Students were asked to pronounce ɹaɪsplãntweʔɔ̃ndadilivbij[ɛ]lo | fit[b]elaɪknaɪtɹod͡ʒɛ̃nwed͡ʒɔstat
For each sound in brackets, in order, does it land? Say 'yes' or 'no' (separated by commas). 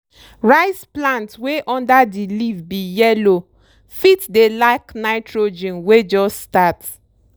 yes, no